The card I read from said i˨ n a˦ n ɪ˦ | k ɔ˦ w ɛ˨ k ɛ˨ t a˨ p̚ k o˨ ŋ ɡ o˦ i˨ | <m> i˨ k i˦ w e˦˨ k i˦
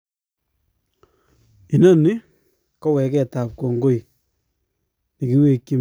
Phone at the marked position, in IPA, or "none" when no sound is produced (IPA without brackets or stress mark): n